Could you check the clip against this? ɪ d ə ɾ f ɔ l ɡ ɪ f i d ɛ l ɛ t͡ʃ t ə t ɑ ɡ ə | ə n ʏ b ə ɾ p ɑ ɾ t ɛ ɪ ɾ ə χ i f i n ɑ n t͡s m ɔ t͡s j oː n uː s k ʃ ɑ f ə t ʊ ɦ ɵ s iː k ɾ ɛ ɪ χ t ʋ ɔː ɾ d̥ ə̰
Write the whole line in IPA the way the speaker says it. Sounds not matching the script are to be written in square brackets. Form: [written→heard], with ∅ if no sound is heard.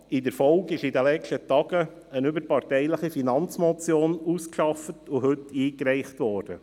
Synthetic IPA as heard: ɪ d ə ɾ f ɔ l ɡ ɪ [f→ʃ] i d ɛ l ɛ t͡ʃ t ə t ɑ ɡ ə | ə n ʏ b ə ɾ p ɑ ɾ t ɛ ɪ [ɾ→l] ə χ i f i n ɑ n t͡s m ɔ t͡s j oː n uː s k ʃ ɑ f ə t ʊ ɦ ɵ [s→t] iː k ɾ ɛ ɪ χ t ʋ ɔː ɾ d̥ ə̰